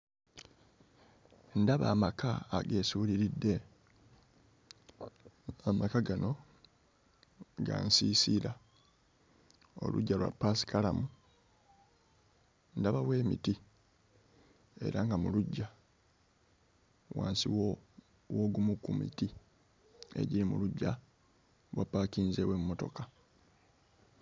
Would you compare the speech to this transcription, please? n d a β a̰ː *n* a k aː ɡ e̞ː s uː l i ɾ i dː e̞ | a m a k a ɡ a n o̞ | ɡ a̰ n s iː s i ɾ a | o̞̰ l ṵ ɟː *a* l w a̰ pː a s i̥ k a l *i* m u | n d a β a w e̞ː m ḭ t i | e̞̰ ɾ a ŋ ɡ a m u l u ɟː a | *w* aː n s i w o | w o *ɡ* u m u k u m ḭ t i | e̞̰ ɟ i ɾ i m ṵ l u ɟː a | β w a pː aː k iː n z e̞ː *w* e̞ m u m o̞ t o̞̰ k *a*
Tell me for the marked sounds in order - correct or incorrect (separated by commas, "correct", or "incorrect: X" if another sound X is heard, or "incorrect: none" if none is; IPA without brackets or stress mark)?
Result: incorrect: m, correct, incorrect: a, correct, correct, correct, correct